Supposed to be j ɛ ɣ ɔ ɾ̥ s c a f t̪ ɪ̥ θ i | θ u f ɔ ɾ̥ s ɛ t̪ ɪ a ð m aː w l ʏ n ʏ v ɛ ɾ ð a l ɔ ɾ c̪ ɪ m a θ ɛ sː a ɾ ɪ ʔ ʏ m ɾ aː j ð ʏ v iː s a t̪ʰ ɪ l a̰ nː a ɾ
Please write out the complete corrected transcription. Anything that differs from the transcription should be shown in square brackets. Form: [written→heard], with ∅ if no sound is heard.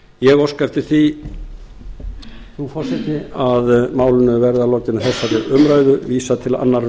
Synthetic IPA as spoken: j ɛ ɣ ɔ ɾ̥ s [c→k] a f t̪ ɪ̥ θ i | θ u f ɔ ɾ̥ s ɛ t̪ ɪ a ð m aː w l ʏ n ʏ v ɛ ɾ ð a l ɔ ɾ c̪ ɪ [m→n] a θ ɛ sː a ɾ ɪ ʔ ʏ m ɾ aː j ð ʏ v iː s a t̪ʰ ɪ l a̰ nː a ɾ

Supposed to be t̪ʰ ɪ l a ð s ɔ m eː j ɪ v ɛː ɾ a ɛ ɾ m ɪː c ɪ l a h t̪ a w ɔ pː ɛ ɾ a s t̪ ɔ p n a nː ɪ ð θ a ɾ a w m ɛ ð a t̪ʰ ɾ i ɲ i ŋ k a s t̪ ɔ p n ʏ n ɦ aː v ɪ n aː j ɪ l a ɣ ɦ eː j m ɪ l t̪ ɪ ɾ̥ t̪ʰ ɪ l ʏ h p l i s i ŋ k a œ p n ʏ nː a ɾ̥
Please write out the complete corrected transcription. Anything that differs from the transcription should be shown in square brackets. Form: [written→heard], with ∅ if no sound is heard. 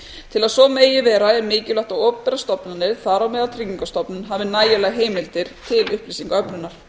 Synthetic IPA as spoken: t̪ʰ ɪ l a ð s ɔ m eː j ɪ v ɛː ɾ a ɛ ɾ m ɪː c ɪ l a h t̪ a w ɔ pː ɛ ɾ a s t̪ ɔ p n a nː ɪ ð θ a ɾ a w m ɛ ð a t̪ʰ ɾ i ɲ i ŋ k a s t̪ ɔ p n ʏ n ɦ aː v ɪ n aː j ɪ l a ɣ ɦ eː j m ɪ l t̪ ɪ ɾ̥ t̪ʰ ɪ l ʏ h p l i s i ŋ k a œ p n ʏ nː a ɾ̥

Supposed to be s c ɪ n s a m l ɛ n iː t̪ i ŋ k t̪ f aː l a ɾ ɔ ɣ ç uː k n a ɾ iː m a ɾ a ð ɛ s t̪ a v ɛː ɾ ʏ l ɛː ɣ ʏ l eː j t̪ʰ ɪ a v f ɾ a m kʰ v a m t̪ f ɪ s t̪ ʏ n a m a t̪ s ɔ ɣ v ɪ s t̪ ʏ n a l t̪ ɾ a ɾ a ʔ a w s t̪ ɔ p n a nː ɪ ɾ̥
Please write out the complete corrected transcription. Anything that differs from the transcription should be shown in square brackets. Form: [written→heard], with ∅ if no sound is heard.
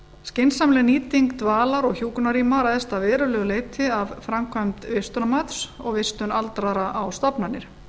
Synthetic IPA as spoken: s c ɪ n s a m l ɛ n iː t̪ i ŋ k t̪ [f→v] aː l a ɾ ɔ ɣ ç uː k n a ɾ iː m a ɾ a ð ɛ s t̪ a v ɛː ɾ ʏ l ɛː ɣ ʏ l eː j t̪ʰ ɪ a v f ɾ a m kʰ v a m t̪ [f→v] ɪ s t̪ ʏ n a m a t̪ s ɔ ɣ v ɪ s t̪ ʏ n a l t̪ ɾ a ɾ a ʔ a w s t̪ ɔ p n a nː ɪ ɾ̥

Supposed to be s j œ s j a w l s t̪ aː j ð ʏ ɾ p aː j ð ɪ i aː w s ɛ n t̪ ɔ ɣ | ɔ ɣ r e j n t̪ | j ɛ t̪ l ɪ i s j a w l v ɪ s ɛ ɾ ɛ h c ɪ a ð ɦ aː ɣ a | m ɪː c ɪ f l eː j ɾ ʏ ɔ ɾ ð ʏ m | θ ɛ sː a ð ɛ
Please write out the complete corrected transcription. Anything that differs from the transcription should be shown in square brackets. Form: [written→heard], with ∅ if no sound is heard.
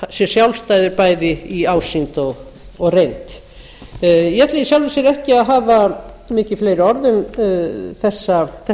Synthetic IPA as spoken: s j [œ→ɛ] s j a w l s t̪ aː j ð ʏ ɾ p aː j ð ɪ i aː w s [ɛ→i] n t̪ ɔ ɣ | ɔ ɣ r e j n t̪ | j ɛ t̪ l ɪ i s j a w l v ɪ s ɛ ɾ ɛ h c ɪ a ð ɦ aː [ɣ→v] a | m ɪː c ɪ f l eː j ɾ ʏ ɔ ɾ ð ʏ m | θ ɛ sː a [ð→θ] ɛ

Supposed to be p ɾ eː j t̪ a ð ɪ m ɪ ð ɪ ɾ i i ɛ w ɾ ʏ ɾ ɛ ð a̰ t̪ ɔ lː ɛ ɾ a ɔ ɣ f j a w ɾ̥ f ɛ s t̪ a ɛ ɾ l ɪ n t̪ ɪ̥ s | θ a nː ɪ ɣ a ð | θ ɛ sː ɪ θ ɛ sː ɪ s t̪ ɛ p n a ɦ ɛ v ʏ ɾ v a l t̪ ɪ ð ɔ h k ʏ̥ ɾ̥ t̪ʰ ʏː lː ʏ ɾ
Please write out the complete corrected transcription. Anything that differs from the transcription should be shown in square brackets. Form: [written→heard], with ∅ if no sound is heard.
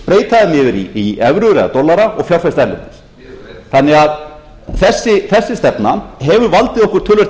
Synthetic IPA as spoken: p ɾ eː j t̪ a ð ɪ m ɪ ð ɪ ɾ i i ɛ [w→v] ɾ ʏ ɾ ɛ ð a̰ t̪ ɔ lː [ɛ→a] ɾ a ɔ ɣ f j a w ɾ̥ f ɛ s t̪ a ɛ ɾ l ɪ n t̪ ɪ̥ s | θ a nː ɪ ɣ a ð | θ ɛ sː ɪ θ ɛ sː ɪ s t̪ ɛ p n a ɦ ɛ v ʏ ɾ v a l t̪ ɪ ð ɔ h k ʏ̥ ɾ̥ t̪ʰ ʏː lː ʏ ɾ

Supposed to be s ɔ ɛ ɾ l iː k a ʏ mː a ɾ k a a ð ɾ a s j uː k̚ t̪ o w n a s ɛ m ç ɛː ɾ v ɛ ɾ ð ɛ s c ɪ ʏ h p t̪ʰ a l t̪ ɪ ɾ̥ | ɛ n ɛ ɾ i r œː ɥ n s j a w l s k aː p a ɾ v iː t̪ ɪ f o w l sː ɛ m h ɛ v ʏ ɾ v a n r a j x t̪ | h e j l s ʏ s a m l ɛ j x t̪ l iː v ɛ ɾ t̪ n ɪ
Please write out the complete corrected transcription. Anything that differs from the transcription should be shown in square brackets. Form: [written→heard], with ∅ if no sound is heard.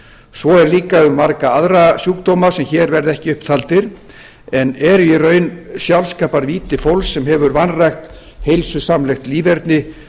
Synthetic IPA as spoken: s ɔ ɛ ɾ l iː k a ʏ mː a ɾ k a a ð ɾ a s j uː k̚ t̪ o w [n→m] a s ɛ m ç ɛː ɾ v ɛ ɾ ð ɛ [s→h] c ɪ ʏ h p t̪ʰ a l t̪ ɪ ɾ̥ | ɛ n ɛ ɾ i r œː ɥ n s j a w l s k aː p a ɾ v iː t̪ ɪ f o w l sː ɛ m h ɛ v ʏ ɾ v a n r a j x t̪ | h e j l s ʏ s a m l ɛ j x t̪ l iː v ɛ ɾ t̪ n ɪ

